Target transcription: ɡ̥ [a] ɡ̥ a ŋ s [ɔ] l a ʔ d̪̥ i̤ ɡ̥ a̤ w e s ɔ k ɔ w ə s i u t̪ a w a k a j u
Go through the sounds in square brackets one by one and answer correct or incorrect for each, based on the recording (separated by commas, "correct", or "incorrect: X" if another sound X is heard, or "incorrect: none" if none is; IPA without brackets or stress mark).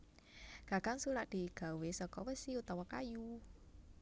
correct, incorrect: u